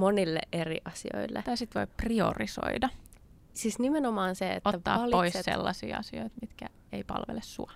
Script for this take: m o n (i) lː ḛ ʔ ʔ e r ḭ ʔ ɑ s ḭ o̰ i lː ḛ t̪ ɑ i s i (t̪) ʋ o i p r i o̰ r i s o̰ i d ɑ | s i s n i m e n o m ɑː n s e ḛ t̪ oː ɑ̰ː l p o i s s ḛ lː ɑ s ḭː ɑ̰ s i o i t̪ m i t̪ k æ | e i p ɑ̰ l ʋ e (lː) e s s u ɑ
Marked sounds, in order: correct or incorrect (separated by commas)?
correct, correct, incorrect